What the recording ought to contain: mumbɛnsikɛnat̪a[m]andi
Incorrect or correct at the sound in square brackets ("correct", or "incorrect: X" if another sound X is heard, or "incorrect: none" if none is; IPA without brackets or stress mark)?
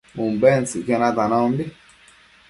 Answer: incorrect: n